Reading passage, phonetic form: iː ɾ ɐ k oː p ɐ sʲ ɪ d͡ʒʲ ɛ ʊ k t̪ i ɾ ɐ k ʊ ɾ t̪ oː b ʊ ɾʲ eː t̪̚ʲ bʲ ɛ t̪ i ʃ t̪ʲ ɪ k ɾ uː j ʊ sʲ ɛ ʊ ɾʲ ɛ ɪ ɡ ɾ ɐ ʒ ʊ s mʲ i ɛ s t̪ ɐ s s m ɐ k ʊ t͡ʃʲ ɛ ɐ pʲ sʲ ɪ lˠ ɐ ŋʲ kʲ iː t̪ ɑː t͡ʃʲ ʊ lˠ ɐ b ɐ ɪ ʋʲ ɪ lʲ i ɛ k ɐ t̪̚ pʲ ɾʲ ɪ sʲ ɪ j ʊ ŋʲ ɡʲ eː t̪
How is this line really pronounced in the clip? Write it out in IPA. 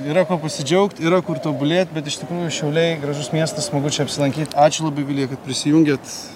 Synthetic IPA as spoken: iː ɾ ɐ k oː p ɐ sʲ ɪ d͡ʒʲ ɛ ʊ k t̪ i ɾ ɐ k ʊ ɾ t̪ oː b ʊ lʲ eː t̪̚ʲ bʲ ɛ t̪ ɪ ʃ t̪ʲ ɪ k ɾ uː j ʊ ʃʲ ɛ ʊ lʲ ɛ ɪ ɡ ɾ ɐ ʒ ʊ s mʲ i ɛ s t̪ ɐ s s m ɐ ɡ ʊ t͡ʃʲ ɛ ɐ pʲ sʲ ɪ lˠ ɐ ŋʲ kʲ iː t̪ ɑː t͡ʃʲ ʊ lˠ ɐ b ɐ ɪ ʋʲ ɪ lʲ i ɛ k ɐ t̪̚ pʲ ɾʲ ɪ sʲ ɪ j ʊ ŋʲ ɡʲ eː t̪